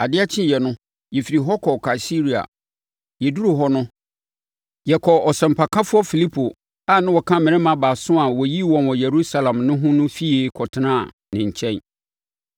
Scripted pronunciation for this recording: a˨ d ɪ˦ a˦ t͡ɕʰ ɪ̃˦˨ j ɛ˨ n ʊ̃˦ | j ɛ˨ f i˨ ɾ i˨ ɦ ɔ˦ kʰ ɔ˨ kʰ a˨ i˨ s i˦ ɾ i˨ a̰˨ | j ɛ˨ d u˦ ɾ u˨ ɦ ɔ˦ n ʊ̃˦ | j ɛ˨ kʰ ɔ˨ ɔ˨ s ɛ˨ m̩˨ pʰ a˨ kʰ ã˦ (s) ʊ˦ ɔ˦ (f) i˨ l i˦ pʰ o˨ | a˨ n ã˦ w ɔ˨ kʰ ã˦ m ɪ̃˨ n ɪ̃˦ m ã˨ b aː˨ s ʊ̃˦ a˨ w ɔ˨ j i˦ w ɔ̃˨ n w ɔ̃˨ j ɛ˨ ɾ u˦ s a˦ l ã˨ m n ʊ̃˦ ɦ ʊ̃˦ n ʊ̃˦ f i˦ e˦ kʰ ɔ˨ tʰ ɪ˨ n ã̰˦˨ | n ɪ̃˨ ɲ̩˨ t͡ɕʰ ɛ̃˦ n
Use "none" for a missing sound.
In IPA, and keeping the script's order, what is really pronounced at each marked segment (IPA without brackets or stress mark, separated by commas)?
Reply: f, f